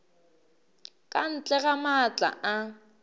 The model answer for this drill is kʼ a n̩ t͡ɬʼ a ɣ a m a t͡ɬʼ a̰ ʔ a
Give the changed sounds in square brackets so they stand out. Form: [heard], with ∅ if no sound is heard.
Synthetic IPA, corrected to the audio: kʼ a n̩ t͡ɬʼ [ɛ] ɣ a m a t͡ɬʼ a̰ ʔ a